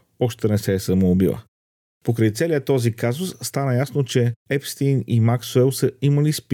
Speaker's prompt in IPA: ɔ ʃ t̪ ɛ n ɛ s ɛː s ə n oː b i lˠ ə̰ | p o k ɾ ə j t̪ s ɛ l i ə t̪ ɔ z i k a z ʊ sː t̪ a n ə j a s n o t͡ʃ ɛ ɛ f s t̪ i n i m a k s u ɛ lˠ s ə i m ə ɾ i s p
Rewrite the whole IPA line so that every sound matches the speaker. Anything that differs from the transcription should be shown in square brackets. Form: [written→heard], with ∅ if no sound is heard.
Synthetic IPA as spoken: ɔ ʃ t̪ ɛ n ɛ s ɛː s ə [n→m] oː b i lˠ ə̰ | p o k ɾ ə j t̪ s ɛ l i ə t̪ ɔ z i k a z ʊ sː t̪ a n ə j a s n o t͡ʃ ɛ ɛ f s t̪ i n i m a k s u ɛ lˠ s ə i m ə [ɾ→l] i s p